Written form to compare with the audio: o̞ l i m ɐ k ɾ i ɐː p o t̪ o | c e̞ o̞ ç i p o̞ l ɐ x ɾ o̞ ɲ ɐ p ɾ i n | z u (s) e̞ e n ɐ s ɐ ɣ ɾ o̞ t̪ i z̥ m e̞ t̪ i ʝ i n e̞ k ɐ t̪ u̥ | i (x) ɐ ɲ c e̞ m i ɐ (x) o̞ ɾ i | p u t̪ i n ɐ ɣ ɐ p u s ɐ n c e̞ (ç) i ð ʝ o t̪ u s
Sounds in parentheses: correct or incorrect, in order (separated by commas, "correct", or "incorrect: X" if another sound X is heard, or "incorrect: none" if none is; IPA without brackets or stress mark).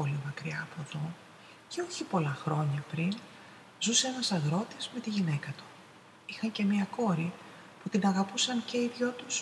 correct, correct, incorrect: k, incorrect: none